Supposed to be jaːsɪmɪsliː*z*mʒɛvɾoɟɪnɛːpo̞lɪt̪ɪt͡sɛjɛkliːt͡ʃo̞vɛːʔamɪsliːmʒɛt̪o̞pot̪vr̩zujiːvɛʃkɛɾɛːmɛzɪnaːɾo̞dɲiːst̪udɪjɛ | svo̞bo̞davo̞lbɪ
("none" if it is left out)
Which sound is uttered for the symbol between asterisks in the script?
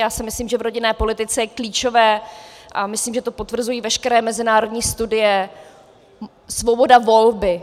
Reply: none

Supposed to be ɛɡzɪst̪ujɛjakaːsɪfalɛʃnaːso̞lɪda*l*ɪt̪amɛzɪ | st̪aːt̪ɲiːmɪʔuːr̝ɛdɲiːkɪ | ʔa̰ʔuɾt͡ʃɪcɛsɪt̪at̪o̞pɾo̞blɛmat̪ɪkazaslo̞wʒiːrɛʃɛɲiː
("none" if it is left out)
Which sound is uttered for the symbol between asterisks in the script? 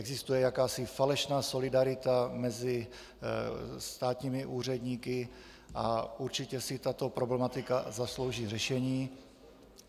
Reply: ɾ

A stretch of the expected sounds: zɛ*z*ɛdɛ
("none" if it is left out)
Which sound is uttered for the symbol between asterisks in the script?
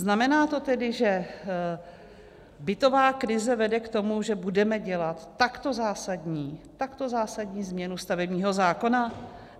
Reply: v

